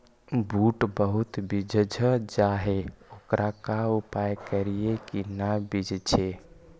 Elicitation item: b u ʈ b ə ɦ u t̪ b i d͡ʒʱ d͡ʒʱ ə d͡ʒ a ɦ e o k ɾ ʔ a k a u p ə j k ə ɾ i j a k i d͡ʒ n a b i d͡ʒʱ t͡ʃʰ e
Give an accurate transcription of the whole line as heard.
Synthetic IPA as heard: b u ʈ b ə ɦ u t̪ b i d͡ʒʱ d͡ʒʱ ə d͡ʒ a ɦ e o k ɾ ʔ a k a u p a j k ə ɾ i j e k i n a b i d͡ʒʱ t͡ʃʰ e